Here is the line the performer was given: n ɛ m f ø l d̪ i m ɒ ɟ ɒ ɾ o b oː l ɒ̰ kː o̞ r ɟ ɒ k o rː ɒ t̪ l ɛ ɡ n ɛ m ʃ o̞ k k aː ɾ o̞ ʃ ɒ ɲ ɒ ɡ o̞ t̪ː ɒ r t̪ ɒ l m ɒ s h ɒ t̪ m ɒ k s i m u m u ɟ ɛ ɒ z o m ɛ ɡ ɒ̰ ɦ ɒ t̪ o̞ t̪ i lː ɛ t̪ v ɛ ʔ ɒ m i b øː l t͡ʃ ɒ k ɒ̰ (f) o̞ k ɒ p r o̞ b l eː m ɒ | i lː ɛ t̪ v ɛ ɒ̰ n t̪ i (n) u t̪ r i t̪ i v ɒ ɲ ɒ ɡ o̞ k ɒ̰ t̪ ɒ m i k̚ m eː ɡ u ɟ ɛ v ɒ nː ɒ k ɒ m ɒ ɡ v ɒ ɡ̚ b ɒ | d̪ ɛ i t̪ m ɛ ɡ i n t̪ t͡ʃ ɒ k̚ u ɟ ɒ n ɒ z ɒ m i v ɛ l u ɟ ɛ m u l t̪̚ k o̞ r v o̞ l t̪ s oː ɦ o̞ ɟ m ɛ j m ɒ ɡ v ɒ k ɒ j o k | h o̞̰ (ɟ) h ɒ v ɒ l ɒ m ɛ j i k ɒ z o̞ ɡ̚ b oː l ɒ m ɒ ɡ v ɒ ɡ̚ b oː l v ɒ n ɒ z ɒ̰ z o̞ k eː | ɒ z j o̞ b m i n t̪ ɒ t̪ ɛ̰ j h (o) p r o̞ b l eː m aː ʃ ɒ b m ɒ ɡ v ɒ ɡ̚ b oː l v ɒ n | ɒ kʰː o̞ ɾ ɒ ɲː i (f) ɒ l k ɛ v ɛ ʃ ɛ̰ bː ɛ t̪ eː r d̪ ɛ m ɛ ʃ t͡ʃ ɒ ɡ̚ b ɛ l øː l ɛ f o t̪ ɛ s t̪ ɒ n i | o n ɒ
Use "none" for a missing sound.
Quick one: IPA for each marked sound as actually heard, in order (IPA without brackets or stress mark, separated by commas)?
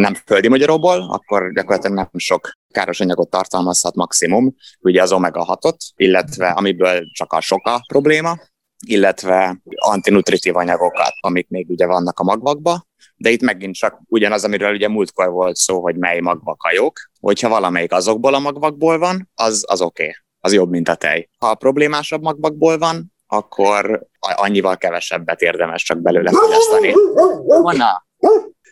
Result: ʃ, n, c, ɒ, v